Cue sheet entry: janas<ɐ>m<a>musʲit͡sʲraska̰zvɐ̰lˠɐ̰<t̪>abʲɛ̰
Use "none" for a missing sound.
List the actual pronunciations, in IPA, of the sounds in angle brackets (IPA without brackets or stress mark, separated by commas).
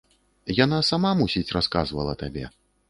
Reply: a, a, t̪